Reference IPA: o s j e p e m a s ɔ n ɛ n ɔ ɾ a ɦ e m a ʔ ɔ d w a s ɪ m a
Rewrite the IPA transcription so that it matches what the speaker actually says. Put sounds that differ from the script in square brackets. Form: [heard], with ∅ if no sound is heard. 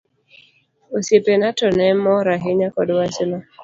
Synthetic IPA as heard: o s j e p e [n] a [t] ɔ n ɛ [m] ɔ ɾ a ɦ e [ɲ] a [k] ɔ d w a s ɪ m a

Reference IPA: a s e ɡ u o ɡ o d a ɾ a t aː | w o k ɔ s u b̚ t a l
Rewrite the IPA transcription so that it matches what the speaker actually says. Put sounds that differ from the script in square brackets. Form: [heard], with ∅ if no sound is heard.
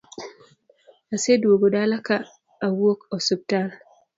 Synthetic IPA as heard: a s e [d] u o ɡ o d a [l] a [k] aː | w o k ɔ s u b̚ t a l

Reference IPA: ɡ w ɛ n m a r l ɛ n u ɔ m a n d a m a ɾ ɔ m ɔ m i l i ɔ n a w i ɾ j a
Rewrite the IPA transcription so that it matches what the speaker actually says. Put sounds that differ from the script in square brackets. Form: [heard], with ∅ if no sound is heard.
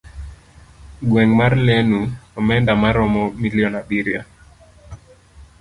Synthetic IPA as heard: ɡ w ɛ [ŋ] m a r l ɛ n u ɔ m [ɛ] n d a m a ɾ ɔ m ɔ m i l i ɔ n a [b] i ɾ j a

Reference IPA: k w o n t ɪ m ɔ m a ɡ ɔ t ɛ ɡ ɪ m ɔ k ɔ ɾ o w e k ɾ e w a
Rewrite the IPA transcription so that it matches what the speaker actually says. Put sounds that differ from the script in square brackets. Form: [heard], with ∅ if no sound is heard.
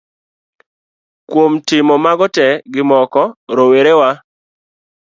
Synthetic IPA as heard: k w o [m] t ɪ m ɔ m a ɡ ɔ t ɛ ɡ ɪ m ɔ k ɔ ɾ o w e [∅] ɾ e w a

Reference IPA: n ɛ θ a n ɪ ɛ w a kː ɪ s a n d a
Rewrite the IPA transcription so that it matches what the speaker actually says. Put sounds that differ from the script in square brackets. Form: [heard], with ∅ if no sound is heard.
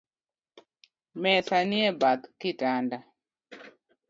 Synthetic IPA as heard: [m] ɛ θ a n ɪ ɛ [b] a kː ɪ [t] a n d a

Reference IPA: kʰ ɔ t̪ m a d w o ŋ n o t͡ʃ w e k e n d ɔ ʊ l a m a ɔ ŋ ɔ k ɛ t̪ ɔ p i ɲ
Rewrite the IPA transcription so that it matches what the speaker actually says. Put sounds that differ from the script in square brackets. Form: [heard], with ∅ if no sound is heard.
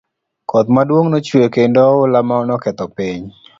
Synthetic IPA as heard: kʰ ɔ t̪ m a d w o ŋ n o t͡ʃ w e k e n d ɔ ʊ l a m a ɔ [n] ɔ k ɛ t̪ ɔ p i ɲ

